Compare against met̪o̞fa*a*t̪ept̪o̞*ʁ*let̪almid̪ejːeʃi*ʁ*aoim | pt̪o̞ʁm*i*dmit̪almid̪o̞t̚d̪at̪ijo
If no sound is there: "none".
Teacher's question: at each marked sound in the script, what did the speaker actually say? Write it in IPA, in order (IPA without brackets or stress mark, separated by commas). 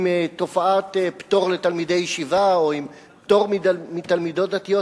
a, ʁ, v, i